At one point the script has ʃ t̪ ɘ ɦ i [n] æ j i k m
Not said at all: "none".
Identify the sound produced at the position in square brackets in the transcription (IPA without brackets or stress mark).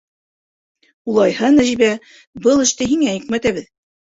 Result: ŋ